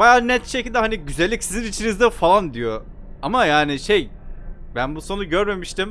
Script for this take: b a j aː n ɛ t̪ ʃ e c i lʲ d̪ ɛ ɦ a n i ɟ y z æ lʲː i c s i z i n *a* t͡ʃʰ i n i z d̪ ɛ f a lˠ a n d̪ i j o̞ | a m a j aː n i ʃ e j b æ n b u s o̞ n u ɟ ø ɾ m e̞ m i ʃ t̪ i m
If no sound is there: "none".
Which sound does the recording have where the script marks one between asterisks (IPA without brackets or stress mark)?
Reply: i